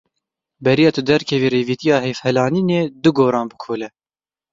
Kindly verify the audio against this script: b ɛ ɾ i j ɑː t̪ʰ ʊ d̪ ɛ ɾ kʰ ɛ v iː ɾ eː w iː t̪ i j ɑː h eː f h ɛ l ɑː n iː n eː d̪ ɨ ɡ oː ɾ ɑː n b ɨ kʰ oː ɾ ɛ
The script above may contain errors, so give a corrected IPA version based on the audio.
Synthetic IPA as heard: b ɛ ɾ i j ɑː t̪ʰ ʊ d̪ ɛ ɾ kʰ ɛ v iː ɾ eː v iː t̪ i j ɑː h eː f h ɛ l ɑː n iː n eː d̪ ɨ ɡ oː ɾ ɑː n b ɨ kʰ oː l ɛ

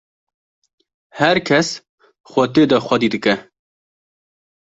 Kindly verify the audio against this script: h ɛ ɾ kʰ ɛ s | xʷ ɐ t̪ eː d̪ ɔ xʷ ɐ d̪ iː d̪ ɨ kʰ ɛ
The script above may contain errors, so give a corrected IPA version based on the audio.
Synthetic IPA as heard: h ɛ ɾ kʰ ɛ s | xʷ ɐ t̪ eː d̪ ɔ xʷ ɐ d̪ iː d̪ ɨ k ɛ

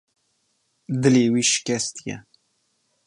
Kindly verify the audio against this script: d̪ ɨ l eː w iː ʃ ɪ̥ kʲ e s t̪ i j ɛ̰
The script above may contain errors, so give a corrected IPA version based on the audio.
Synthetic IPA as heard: d̪ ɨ l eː w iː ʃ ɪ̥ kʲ ɛ s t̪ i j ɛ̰

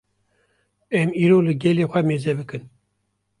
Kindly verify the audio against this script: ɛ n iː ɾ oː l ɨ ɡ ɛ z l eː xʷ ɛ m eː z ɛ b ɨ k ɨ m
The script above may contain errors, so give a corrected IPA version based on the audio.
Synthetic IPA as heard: ɛ m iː ɾ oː l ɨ ɡ ɛ l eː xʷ ɛ m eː z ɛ b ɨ k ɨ n

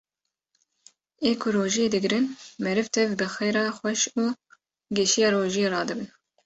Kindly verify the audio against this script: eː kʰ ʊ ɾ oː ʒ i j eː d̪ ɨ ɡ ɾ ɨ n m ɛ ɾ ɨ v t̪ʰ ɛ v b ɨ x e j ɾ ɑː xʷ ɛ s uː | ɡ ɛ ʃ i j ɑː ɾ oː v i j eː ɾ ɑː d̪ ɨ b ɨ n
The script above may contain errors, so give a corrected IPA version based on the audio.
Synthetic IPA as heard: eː kʰ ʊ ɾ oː ʒ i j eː d̪ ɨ ɡ ɾ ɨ n m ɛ ɾ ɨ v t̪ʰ ɛ v b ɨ x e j ɾ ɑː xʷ ɛ ʃ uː | ɡ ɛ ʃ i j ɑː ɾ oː ʒ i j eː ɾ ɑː d̪ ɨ b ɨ n

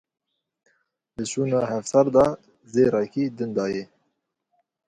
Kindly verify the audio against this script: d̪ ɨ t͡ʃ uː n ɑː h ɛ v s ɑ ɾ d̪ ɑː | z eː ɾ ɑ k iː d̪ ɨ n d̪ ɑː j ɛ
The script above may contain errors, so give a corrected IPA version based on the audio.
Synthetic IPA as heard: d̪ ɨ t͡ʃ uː n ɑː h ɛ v s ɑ ɾ d̪ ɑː | z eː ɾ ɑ k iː d̪ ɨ n d̪ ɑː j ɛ

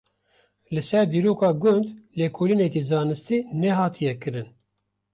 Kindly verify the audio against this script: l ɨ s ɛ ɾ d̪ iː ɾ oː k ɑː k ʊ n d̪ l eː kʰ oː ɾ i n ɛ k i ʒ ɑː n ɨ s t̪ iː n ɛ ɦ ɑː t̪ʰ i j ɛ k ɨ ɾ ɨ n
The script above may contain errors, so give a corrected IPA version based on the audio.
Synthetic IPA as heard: l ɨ s ɛ ɾ d̪ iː ɾ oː k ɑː ɡ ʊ n d̪ l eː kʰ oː l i n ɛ k i z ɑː n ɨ s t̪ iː n ɛ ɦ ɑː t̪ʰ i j ɛ k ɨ ɾ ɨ n

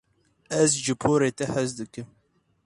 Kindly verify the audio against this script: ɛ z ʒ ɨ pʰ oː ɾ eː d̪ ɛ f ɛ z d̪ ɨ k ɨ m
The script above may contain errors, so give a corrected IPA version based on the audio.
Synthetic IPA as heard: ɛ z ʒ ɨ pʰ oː ɾ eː t̪ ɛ h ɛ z d̪ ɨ k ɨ m

